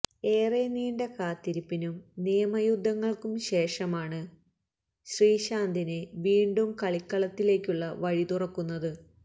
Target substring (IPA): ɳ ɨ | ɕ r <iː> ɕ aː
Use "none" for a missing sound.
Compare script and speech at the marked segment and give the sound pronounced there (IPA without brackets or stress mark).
iː